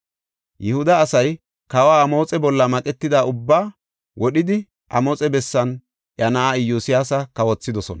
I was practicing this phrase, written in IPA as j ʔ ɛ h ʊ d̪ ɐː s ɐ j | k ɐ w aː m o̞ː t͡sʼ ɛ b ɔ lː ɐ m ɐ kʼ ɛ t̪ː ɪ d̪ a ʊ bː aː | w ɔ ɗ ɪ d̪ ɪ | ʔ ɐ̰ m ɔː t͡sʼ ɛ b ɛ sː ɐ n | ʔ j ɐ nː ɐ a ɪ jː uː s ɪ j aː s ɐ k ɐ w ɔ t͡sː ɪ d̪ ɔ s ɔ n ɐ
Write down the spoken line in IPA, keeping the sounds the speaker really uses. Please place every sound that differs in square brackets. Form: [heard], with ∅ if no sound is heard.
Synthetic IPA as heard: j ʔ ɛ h ʊ d̪ ɐː s ɐ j | k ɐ w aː m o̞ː t͡sʼ ɛ b ɔ lː ɐ m ɐ kʼ ɛ t̪ː ɪ d̪ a ʊ bː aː | w ɔ ɗ ɪ d̪ ɪ | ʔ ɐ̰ m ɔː t͡sʼ ɛ b ɛ sː ɐ n | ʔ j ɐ [n] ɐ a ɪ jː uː s ɪ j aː s ɐ k ɐ w ɔ t͡sː ɪ d̪ ɔ s ɔ n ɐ